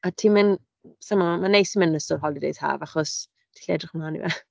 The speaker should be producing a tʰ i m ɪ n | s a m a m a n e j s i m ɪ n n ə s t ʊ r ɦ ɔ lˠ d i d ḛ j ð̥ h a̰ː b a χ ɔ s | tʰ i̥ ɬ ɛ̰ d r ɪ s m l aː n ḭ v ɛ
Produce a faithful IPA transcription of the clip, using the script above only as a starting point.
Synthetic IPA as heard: a tʰ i m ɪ n | s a m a m a n e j s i m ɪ n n ə s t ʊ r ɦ ɔ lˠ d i d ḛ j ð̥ h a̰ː v a χ ɔ s | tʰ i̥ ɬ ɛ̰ d r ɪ χ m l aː n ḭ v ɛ